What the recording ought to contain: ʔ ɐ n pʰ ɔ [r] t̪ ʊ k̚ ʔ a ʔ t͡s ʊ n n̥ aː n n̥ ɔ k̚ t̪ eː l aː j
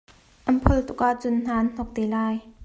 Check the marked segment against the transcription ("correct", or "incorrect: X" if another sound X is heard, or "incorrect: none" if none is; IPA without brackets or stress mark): incorrect: l